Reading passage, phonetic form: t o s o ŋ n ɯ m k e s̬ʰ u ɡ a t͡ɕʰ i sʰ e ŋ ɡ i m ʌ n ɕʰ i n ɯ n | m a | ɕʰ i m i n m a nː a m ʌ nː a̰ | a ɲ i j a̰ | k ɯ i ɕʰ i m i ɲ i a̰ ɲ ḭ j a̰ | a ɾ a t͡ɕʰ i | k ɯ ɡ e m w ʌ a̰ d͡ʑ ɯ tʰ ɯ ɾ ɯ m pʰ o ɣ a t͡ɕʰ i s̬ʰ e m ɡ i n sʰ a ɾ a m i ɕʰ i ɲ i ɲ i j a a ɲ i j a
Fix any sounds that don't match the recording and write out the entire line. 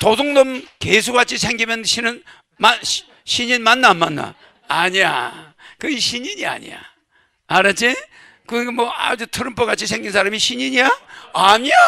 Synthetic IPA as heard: t o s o ŋ n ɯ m k e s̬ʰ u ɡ a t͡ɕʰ i sʰ e ŋ ɡ i m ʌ n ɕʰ i n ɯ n | m a | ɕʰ i ɲ i n m a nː a m a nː a̰ | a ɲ i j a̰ | k ɯ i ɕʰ i ɲ i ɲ i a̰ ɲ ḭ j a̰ | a ɾ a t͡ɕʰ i | k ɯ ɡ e m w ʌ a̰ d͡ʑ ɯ tʰ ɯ ɾ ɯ m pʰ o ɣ a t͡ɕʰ i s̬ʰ e ŋ ɡ i n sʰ a ɾ a m i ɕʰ i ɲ i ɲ i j a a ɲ i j a